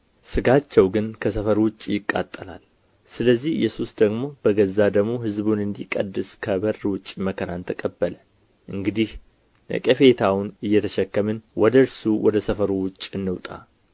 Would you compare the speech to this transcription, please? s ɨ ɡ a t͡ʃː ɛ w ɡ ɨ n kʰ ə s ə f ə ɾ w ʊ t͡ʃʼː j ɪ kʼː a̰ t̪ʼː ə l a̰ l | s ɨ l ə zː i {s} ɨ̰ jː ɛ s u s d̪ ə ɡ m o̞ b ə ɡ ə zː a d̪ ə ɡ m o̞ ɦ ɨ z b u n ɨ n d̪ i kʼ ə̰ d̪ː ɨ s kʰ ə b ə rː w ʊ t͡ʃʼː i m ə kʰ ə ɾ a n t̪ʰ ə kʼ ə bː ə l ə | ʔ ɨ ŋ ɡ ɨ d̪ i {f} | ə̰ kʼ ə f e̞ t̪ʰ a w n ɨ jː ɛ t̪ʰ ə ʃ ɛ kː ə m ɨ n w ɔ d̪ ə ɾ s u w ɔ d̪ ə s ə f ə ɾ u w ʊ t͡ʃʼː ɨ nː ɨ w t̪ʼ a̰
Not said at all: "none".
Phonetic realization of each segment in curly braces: h, h

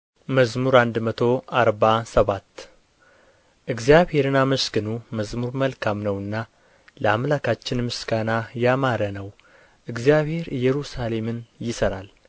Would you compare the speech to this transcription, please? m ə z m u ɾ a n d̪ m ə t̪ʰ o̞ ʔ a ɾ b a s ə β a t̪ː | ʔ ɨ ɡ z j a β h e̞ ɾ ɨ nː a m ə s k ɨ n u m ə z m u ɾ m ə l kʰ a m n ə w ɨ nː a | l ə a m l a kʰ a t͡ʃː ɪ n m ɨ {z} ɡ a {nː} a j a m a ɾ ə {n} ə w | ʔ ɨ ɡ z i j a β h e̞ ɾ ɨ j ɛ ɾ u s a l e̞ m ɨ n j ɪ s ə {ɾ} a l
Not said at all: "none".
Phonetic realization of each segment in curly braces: s, n, n, ɾ

